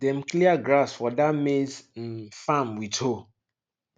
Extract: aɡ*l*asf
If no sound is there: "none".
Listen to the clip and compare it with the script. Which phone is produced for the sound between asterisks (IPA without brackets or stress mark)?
ɾ